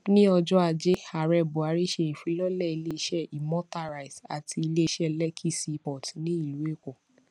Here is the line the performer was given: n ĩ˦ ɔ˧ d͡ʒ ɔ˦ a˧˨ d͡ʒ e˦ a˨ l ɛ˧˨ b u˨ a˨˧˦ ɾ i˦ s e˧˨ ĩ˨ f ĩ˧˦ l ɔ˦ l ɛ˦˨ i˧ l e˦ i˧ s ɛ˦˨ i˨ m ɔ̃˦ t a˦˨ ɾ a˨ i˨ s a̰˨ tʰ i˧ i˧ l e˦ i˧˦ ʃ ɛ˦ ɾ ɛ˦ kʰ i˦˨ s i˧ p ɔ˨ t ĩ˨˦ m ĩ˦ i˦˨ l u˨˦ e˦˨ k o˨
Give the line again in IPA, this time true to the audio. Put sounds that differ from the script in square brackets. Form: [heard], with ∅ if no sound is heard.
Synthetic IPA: n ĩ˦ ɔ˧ d͡ʒ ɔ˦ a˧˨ d͡ʒ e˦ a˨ [ɾ] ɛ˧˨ b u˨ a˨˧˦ ɾ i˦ [ʃ] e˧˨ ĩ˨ f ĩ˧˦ l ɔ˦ l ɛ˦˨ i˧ l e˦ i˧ [ʃ] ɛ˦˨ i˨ m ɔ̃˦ t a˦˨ ɾ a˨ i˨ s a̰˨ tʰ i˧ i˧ l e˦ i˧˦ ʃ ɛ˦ [l] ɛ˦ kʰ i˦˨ s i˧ p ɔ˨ t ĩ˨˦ [n] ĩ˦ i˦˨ l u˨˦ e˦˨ k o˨